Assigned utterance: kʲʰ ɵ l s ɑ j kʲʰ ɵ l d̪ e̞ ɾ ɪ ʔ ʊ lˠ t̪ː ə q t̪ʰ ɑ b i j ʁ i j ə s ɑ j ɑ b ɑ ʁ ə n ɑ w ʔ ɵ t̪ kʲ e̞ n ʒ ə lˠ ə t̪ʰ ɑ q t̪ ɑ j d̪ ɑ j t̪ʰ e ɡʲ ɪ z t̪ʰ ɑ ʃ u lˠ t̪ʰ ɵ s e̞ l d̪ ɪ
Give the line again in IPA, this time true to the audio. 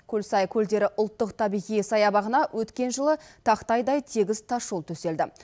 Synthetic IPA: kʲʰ ɵ l s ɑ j kʲʰ ɵ l d̪ e̞ ɾ ɪ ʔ ʊ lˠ t̪ː ə q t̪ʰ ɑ b i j ʁ i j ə s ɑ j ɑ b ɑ ʁ ə n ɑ w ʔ ɵ t̪ kʲ e̞ n ʒ ə lˠ ə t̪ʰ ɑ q t̪ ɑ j d̪ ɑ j t̪ʰ e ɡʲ ɪ z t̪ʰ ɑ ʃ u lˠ t̪ʰ ɵ s e̞ l d̪ ɪ